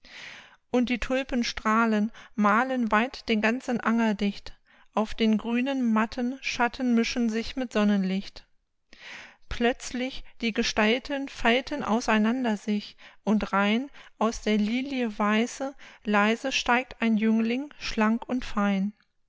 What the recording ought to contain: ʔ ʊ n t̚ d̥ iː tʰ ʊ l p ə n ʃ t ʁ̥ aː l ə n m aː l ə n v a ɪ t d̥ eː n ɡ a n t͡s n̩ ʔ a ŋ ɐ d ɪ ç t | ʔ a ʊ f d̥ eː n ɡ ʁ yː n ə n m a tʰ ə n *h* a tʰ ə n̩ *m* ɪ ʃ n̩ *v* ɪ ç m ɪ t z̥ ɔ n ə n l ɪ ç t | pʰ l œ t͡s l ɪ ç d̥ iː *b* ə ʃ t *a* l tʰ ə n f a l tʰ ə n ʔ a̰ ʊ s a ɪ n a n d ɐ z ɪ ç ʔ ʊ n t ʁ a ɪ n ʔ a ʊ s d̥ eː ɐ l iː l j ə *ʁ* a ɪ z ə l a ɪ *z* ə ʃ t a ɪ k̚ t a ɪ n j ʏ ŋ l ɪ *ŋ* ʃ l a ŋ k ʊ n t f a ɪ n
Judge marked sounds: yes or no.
no, yes, no, no, yes, no, yes, yes

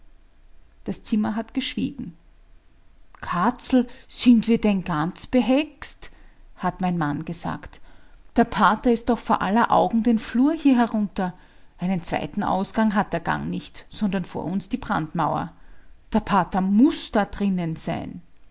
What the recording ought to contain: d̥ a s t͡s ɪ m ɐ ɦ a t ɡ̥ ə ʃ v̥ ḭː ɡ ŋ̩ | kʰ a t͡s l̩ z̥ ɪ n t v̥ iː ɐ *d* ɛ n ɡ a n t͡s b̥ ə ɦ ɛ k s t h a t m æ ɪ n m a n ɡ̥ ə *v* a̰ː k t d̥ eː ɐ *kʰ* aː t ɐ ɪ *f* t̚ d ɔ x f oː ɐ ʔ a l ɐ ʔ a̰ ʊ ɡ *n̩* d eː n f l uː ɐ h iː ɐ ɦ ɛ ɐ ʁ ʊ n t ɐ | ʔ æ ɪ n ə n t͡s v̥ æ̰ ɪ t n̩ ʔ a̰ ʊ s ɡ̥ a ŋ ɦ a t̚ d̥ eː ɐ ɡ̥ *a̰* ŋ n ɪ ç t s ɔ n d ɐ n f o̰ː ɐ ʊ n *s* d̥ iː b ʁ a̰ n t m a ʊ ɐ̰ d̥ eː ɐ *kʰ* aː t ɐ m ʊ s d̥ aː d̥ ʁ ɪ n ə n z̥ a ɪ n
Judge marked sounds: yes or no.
yes, no, no, no, no, yes, yes, no

